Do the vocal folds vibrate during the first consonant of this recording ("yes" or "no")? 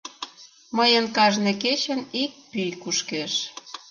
yes